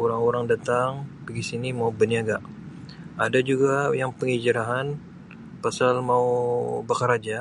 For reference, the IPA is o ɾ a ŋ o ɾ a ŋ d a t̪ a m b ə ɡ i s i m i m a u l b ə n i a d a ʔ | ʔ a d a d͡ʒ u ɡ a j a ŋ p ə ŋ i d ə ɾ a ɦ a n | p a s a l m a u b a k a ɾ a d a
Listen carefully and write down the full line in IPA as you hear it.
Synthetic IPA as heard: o ɾ a ŋ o ɾ a ŋ d a t̪ a ŋ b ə ɡ i s i n i m a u b ə n i a ɡ a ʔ | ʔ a d a d͡ʒ u ɡ a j a ŋ p ə ŋ i d͡ʒ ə ɾ a ɦ a n | p a s a l m a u b a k a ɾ a d͡ʒ a